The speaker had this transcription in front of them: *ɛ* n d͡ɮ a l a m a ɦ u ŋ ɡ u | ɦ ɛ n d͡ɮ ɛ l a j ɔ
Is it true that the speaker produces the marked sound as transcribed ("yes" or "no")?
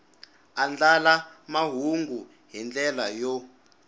no